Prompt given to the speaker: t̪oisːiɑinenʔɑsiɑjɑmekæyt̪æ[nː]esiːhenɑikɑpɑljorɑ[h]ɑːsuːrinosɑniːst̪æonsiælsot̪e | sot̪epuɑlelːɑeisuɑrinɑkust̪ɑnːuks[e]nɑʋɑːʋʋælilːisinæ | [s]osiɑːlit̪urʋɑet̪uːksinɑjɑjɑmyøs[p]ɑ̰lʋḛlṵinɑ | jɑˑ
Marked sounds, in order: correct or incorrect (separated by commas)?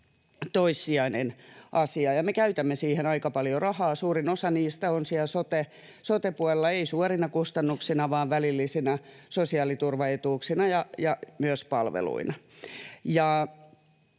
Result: incorrect, correct, incorrect, correct, correct